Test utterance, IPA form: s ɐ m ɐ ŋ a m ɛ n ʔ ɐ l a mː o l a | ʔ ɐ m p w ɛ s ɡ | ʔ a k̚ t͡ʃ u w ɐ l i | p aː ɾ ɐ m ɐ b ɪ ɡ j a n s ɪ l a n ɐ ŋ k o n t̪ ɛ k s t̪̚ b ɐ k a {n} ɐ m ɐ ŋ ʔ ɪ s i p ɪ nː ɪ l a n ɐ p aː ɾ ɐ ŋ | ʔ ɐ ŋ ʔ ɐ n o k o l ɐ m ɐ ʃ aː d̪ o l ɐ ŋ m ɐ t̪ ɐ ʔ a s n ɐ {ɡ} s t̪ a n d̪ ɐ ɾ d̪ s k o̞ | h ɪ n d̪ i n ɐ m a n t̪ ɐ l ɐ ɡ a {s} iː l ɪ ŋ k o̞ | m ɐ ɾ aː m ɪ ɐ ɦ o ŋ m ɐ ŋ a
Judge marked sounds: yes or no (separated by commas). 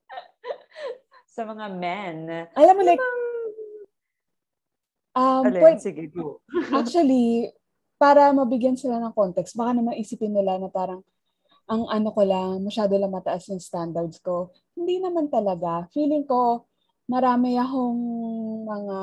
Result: yes, no, no